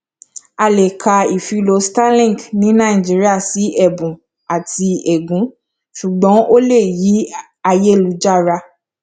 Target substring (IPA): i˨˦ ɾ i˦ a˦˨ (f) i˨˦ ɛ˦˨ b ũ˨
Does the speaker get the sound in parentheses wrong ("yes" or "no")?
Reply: yes